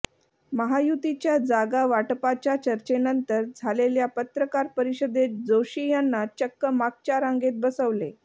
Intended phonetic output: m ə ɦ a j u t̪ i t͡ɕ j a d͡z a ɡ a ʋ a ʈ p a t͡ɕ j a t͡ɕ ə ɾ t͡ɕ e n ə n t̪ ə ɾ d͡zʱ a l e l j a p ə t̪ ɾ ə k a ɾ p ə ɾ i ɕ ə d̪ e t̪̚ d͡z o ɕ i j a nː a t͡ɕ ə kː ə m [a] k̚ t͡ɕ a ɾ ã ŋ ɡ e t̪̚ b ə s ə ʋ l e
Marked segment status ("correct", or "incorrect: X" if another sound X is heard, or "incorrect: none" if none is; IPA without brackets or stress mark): correct